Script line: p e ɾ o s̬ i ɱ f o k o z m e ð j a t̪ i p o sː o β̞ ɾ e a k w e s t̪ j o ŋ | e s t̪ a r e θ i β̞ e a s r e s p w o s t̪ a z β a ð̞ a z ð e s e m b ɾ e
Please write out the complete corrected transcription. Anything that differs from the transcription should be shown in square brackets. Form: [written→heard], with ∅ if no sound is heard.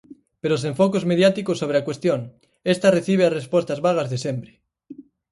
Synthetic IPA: p e ɾ o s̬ [i→e] ɱ f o k o z m e ð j a t̪ i [p→k] o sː o β̞ ɾ e a k w e s t̪ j o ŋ | e s t̪ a r e θ i β̞ e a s r e s p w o s t̪ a z β a [ð̞→ɣ̞] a z ð e s e m b ɾ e